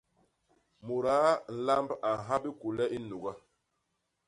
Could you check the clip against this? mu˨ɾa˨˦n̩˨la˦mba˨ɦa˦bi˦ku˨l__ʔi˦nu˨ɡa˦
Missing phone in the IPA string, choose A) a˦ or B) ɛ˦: B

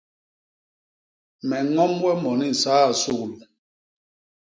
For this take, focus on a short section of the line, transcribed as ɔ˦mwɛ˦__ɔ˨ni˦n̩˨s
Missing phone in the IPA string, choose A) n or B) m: B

